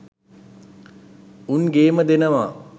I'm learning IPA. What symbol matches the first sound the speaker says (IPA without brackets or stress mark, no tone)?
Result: u